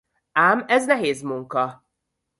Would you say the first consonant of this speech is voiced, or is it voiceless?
voiced